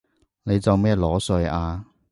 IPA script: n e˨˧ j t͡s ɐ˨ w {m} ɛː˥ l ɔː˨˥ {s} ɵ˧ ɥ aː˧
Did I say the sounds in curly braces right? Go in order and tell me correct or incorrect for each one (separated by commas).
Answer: correct, correct